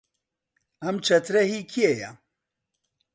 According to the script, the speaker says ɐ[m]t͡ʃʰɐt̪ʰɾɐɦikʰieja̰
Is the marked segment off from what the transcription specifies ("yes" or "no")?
no